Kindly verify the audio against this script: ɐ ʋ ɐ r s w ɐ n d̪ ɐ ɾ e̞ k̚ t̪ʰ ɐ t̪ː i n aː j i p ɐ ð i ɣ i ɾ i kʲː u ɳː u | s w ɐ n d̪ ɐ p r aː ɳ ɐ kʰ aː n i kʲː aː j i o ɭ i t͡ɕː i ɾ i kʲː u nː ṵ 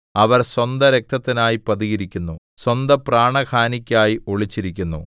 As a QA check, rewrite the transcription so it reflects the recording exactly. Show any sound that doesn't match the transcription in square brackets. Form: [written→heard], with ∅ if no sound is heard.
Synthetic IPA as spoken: ɐ ʋ ɐ r s w ɐ n d̪ ɐ ɾ e̞ k̚ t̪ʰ ɐ t̪ː i n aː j i p ɐ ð i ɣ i ɾ i kʲː u [ɳː→nː] u | s w ɐ n d̪ ɐ p r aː ɳ ɐ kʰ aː n i kʲː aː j i o ɭ i t͡ɕː i ɾ i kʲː u nː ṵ